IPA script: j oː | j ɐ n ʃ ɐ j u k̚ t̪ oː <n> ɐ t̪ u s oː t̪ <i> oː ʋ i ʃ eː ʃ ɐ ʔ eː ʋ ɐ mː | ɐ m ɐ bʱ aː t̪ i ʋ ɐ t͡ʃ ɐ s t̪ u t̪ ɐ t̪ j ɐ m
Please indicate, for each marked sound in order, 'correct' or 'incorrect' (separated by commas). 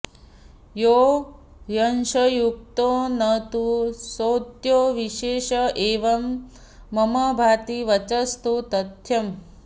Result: correct, incorrect